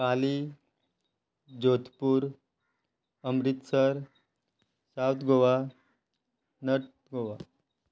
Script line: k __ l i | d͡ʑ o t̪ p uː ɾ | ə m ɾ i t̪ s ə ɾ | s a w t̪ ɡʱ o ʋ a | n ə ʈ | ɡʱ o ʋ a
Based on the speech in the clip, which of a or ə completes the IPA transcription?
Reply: a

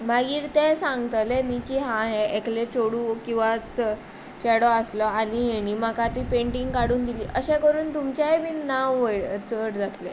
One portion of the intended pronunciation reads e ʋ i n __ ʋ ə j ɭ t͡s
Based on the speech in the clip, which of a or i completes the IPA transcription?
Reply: a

